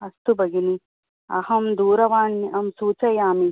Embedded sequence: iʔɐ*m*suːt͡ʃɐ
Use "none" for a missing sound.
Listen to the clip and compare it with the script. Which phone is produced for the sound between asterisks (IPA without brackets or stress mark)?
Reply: m